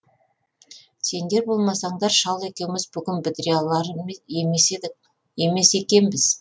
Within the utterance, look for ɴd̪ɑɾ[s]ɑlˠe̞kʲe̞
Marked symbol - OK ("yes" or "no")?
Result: no